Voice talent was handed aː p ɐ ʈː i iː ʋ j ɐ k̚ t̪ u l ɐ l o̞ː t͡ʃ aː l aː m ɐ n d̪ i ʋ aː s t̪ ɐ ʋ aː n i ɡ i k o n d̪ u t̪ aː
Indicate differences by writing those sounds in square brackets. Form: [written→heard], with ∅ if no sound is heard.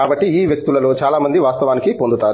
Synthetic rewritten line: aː [p→b] ɐ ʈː i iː ʋ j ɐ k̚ t̪ u l ɐ l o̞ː t͡ʃ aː l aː m ɐ n d̪ i ʋ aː s t̪ ɐ ʋ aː n i [ɡ→k] i [k→p] o n d̪ u t̪ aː